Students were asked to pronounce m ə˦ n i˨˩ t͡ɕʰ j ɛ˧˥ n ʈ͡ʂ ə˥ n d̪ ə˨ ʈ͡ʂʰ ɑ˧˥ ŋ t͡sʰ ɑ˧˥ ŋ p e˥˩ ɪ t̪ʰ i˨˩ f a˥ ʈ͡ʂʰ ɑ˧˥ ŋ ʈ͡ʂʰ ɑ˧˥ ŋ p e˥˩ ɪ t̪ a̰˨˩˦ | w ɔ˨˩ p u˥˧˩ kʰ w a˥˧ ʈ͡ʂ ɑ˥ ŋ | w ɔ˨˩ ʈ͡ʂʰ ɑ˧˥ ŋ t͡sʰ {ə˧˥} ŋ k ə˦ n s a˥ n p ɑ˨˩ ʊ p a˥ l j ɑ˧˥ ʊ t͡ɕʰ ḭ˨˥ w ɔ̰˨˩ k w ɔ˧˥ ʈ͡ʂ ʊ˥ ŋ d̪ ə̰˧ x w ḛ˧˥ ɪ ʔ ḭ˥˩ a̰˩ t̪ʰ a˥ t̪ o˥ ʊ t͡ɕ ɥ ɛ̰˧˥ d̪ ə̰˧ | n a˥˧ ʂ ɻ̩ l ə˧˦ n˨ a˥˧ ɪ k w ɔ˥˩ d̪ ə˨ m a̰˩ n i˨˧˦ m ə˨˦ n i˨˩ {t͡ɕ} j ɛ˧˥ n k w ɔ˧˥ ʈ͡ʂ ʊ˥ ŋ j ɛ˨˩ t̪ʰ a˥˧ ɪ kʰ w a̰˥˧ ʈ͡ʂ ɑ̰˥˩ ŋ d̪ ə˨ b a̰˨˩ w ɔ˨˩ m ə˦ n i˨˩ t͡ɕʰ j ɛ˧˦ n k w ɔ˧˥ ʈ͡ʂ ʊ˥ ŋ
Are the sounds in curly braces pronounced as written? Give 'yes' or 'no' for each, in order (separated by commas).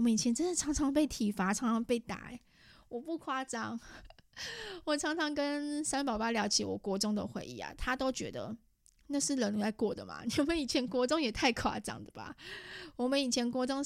no, no